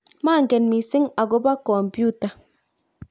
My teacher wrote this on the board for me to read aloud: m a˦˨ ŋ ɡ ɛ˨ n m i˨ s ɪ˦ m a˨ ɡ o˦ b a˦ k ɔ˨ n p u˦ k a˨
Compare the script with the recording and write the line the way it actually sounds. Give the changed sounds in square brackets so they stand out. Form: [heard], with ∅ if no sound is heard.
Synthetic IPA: m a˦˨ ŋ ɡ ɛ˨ n m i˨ s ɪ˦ [ŋ] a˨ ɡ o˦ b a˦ k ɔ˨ [m] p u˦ [t] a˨

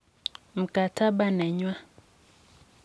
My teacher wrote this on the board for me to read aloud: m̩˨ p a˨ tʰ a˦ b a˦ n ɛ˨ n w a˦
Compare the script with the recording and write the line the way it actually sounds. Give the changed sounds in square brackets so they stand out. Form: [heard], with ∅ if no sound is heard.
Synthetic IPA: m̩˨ [k] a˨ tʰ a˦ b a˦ n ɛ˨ [ɲ] w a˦

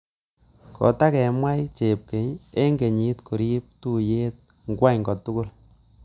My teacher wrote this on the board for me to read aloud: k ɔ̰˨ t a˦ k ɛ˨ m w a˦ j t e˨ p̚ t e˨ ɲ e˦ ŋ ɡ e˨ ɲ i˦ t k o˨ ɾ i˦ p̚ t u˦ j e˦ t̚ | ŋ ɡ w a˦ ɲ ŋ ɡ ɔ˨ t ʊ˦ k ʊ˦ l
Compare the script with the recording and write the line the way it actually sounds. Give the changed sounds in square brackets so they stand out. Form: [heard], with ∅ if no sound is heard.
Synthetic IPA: k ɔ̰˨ t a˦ k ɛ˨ m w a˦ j [t͡ʃ] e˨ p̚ [k] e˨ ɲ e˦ ŋ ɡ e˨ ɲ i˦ t k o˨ ɾ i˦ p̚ t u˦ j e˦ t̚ | ŋ ɡ w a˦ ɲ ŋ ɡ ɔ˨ t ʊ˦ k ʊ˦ l

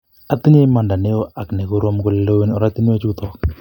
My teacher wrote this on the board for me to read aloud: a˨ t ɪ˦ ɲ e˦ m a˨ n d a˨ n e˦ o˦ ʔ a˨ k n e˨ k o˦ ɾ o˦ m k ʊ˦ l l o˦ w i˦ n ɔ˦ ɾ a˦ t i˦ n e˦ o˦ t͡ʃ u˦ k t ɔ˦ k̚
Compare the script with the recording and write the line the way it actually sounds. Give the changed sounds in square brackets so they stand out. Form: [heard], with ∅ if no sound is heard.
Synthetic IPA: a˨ t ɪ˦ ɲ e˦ m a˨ n d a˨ n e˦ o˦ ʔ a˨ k n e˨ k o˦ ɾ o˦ m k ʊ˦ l l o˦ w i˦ n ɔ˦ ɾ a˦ t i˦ n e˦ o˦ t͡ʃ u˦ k t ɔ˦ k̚

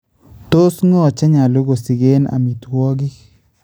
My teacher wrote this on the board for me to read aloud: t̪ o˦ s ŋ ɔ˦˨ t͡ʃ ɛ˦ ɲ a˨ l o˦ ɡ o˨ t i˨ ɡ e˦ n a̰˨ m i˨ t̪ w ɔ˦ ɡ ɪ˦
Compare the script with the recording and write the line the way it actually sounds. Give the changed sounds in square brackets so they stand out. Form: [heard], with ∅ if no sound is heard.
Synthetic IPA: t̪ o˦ s ŋ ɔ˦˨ t͡ʃ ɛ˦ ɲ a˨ l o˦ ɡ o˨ [s] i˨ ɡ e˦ n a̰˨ m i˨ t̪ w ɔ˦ ɡ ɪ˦

